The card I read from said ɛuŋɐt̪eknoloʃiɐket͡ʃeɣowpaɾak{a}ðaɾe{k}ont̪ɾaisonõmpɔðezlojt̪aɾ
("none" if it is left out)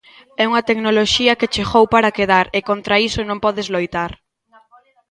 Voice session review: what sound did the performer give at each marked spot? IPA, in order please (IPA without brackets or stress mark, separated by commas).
e, k